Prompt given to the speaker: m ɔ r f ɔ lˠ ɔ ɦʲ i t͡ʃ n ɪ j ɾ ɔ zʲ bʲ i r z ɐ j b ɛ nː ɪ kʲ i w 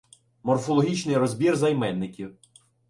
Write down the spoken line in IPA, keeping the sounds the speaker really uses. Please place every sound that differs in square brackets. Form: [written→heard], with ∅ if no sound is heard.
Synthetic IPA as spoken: m ɔ r f ɔ lˠ ɔ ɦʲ i t͡ʃ n ɪ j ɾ ɔ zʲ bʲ i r z ɐ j [b→m] ɛ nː ɪ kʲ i w